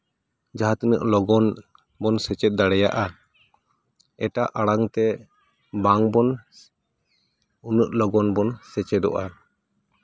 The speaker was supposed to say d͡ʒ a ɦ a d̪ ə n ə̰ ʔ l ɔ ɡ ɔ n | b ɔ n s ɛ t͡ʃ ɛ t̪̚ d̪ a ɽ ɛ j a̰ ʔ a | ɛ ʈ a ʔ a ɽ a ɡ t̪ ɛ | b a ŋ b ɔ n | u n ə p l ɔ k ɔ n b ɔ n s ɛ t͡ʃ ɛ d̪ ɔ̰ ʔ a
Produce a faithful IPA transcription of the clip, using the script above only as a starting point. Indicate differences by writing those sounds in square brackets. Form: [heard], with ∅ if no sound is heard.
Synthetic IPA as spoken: d͡ʒ a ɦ a [t̪] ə n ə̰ ʔ l ɔ ɡ ɔ n | b ɔ n s ɛ t͡ʃ ɛ t̪̚ d̪ a ɽ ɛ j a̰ ʔ a | ɛ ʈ a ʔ a ɽ a [ŋ] t̪ ɛ | b a ŋ b ɔ n | u n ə [ʔ] l ɔ [ɡ] ɔ n b ɔ n s ɛ t͡ʃ ɛ d̪ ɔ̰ ʔ a

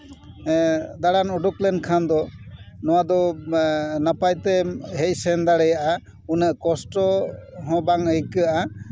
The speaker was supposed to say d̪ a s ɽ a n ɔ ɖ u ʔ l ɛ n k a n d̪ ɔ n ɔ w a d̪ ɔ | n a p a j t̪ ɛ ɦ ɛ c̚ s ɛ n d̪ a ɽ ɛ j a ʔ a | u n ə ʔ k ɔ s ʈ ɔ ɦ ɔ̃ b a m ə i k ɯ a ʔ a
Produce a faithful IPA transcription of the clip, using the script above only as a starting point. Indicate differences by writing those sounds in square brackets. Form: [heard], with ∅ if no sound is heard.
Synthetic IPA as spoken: d̪ a [∅] ɽ a n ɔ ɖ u [k] l ɛ n [kʰ] a n d̪ ɔ n ɔ w a d̪ ɔ | n a p a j t̪ ɛ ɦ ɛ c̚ s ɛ n d̪ a ɽ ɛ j a ʔ a | u n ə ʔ k ɔ s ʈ ɔ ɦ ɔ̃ b a [ŋ] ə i k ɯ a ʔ a

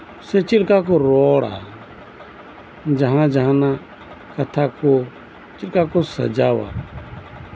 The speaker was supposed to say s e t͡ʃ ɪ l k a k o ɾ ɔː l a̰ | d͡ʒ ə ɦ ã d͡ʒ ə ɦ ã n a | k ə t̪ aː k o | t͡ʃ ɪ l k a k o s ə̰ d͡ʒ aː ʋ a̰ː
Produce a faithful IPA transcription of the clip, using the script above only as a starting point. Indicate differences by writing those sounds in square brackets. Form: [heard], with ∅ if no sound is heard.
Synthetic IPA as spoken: s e t͡ʃ ɪ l k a k o ɾ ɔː [ɽ] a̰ | d͡ʒ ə ɦ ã d͡ʒ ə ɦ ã n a | k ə [t̪ʰ] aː k o | t͡ʃ ɪ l k a k o s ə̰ d͡ʒ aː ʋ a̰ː

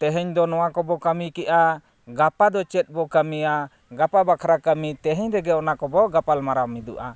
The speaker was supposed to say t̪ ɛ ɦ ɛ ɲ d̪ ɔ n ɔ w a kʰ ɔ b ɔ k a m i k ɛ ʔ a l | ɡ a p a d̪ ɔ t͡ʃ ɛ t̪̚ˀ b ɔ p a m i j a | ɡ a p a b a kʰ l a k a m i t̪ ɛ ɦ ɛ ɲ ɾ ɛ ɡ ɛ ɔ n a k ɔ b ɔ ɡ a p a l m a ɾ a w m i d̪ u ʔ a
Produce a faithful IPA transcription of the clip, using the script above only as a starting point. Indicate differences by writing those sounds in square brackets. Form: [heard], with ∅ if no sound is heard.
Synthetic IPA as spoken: t̪ ɛ ɦ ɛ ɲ d̪ ɔ n ɔ w a [k] ɔ b ɔ k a m i k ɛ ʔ a [∅] | ɡ a p a d̪ ɔ t͡ʃ ɛ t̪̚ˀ b ɔ [k] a m i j a | ɡ a p a b a kʰ [ɾ] a k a m i t̪ ɛ ɦ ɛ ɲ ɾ ɛ ɡ ɛ ɔ n a k ɔ b ɔ ɡ a p a l m a ɾ a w m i d̪ u ʔ a

